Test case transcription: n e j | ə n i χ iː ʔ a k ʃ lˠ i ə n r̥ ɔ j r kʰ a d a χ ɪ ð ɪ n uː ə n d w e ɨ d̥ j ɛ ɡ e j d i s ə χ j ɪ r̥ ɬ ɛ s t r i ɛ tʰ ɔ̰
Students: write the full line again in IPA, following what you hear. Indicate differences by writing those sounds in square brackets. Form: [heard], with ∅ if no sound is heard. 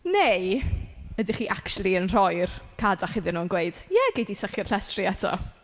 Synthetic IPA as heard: n e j | ə [d] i χ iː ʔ a k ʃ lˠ i ə n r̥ ɔ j r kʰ a d a χ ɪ ð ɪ n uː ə n [ɡ] w e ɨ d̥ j ɛ ɡ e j d i s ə χ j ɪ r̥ ɬ ɛ s t r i ɛ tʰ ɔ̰